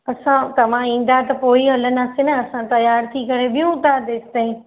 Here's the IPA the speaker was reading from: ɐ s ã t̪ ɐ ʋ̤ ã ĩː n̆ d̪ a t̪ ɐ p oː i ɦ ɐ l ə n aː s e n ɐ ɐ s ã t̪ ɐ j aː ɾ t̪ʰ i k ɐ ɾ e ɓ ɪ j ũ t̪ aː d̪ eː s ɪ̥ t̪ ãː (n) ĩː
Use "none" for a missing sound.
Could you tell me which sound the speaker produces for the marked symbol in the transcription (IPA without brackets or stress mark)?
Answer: none